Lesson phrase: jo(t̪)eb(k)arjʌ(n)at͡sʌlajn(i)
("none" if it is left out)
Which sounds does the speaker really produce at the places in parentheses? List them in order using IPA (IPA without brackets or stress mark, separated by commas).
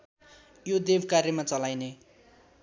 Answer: d̪, k, m, e